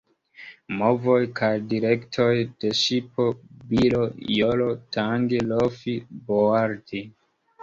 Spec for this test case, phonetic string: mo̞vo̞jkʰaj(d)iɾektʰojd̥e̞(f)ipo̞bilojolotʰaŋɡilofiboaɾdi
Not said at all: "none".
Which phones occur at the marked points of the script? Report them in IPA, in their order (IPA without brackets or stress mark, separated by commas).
d, ʃ